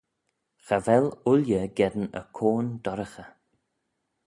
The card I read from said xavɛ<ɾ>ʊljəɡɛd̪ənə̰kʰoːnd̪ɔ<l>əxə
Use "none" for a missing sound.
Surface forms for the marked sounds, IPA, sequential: l, ɾ

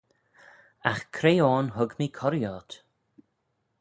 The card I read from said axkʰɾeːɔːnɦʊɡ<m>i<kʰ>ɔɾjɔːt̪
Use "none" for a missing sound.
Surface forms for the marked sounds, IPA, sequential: m, kʰ

